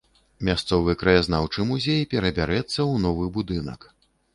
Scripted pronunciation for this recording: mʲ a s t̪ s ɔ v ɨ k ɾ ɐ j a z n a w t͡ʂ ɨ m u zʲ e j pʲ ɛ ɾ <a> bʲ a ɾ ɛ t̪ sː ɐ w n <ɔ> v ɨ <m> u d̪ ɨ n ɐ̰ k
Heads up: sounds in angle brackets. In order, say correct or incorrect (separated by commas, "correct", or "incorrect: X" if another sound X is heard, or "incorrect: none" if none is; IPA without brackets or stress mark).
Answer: incorrect: ɐ, correct, incorrect: b